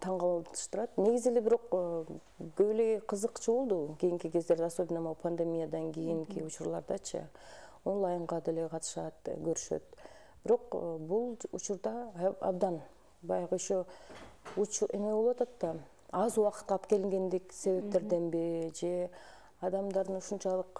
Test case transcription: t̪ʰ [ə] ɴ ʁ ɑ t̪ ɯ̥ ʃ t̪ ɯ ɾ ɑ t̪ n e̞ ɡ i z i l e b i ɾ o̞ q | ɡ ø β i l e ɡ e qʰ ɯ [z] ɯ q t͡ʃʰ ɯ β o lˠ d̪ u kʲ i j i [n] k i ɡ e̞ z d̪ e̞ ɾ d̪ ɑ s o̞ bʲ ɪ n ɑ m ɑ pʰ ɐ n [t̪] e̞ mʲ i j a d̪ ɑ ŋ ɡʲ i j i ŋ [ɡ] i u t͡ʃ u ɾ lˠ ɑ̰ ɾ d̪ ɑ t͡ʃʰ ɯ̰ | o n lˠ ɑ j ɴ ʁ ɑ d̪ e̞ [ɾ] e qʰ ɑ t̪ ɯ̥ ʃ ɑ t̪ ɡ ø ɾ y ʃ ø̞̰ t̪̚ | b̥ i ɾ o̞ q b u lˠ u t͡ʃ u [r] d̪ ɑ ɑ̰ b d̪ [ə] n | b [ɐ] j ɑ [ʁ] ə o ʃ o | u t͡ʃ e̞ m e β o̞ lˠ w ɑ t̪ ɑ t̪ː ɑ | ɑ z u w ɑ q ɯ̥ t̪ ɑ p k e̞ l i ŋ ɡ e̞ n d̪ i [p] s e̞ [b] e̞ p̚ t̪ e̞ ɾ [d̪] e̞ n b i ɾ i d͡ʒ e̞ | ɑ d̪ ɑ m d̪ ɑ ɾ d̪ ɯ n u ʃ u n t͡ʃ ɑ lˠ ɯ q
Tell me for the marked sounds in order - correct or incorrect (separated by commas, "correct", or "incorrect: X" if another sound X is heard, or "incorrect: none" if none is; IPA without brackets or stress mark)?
incorrect: ɑ, correct, incorrect: ŋ, incorrect: d̪, incorrect: k, incorrect: l, incorrect: ɾ, incorrect: ɑ, incorrect: ɑ, correct, incorrect: k, incorrect: β, correct